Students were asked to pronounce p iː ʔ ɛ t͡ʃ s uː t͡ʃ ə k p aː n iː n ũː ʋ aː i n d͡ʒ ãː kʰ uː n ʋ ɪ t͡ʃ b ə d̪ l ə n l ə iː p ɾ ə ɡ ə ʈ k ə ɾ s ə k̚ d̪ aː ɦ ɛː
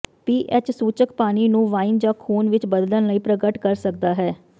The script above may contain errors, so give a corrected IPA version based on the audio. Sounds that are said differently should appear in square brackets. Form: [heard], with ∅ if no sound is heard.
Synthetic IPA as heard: p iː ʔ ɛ t͡ʃ s uː t͡ʃ ə k p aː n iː n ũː ʋ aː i n d͡ʒ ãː kʰ uː n ʋ ɪ t͡ʃ b ə d̪ l ə n l ə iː p ɾ ə ɡ ə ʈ k ə ɾ s ə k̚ d̪ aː ɦ ɛː